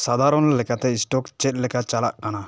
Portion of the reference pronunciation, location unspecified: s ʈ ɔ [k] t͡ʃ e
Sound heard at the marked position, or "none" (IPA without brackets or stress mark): k